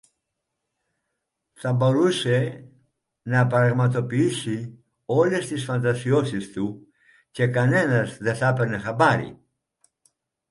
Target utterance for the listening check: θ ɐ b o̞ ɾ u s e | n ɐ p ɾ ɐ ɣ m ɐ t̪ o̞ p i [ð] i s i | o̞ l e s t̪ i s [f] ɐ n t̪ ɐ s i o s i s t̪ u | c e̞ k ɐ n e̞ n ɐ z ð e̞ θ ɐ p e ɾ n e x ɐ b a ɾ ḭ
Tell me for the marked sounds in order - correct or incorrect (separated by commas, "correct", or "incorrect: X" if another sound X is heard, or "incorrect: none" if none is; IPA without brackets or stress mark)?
incorrect: none, correct